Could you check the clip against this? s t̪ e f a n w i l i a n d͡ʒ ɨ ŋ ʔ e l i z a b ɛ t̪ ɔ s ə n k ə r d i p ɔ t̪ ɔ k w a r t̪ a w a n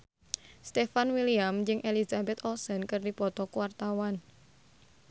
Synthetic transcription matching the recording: s t̪ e f a n w i l i a m d͡ʒ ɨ ŋ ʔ e l i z a b ɛ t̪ ɔ s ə n k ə r d i p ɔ t̪ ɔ k w a r t̪ a w a n